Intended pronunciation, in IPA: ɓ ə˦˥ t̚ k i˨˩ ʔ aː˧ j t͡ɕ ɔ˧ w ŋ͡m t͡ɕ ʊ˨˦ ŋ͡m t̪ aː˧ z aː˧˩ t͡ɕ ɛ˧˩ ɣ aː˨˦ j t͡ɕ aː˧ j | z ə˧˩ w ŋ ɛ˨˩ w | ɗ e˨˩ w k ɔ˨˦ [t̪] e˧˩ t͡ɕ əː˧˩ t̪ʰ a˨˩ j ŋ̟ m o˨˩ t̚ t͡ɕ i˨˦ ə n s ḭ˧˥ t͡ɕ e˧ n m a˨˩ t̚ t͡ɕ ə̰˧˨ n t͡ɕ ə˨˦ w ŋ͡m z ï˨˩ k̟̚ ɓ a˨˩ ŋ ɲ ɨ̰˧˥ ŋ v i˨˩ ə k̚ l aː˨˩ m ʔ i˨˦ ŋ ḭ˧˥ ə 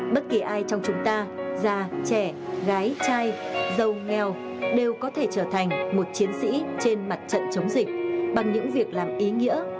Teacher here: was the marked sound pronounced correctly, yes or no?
no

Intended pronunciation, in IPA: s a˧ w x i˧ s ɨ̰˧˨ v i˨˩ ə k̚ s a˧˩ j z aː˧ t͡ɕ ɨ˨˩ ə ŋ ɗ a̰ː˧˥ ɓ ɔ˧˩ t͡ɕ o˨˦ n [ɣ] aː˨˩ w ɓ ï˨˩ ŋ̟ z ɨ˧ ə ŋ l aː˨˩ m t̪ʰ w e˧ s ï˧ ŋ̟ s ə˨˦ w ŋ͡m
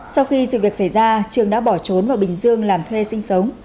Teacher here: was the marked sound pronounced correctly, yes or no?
no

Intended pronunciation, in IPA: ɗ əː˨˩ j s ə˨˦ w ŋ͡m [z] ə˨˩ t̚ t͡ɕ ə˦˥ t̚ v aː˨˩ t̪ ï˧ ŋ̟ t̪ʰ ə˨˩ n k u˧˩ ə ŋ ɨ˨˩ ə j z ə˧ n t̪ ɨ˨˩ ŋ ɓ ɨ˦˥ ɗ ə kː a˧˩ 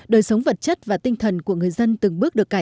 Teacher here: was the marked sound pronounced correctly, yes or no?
no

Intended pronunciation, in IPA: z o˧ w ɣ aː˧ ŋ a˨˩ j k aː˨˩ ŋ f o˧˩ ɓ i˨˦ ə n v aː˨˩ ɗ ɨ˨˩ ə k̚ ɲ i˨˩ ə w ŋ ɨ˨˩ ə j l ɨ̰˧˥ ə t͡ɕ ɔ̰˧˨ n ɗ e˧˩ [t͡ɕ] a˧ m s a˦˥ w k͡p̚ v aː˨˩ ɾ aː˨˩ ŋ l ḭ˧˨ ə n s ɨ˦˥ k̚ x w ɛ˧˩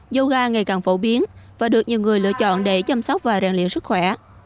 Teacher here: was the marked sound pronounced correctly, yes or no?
yes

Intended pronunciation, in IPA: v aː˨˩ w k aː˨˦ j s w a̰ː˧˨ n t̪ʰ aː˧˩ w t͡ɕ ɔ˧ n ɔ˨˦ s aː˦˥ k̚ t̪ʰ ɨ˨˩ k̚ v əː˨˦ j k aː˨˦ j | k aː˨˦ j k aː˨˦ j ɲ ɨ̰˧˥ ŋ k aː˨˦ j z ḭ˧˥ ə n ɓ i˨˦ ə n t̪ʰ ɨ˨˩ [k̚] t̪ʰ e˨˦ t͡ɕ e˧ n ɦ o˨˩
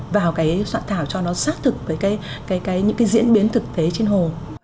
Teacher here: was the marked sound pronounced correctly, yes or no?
yes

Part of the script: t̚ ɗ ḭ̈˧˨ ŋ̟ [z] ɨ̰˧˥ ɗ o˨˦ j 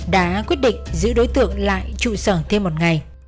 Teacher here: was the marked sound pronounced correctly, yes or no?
yes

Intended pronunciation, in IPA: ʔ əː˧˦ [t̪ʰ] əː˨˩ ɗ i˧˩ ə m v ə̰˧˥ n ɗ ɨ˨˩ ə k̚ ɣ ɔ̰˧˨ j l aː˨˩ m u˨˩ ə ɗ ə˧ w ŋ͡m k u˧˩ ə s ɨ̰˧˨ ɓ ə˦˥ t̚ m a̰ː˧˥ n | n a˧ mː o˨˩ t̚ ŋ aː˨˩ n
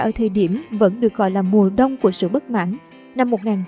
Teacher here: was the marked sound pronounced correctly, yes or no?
yes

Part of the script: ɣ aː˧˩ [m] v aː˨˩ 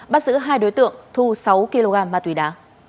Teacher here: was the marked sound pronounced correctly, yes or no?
yes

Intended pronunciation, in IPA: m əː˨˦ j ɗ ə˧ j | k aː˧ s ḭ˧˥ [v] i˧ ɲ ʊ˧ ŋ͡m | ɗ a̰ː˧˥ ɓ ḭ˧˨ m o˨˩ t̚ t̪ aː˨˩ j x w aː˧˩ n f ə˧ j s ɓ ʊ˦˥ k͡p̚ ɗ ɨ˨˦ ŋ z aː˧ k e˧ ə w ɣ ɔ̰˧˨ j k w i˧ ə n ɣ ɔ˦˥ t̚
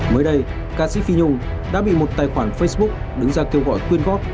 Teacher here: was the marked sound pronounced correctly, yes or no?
no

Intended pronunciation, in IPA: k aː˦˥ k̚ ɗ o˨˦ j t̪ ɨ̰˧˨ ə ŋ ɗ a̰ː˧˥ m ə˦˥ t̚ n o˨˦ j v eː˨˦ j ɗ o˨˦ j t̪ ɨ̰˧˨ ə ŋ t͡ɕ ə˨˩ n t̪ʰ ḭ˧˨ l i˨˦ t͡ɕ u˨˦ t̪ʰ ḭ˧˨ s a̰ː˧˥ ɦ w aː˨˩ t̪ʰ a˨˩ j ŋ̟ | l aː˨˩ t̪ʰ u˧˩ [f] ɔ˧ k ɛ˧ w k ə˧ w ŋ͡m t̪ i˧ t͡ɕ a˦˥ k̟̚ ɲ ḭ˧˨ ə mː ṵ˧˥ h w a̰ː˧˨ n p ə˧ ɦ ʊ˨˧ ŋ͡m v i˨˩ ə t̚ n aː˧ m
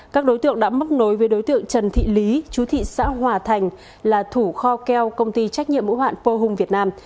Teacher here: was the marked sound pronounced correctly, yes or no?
no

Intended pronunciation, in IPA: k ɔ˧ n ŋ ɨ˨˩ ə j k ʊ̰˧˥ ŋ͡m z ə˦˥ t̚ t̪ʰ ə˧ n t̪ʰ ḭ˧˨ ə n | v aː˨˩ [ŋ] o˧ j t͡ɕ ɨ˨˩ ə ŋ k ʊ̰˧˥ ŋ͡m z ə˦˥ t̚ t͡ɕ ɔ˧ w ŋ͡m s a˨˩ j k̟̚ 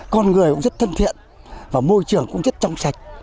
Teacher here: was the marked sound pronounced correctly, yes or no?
no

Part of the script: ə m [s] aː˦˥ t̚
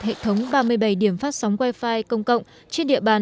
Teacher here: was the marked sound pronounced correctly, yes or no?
no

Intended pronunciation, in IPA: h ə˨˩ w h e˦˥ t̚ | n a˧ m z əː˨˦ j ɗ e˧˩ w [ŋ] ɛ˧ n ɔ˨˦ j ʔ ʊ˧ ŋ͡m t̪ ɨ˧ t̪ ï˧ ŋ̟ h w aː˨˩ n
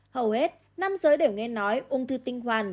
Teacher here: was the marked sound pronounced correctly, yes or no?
yes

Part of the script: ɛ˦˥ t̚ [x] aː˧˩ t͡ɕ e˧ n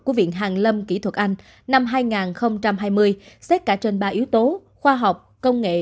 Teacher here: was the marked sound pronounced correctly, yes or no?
no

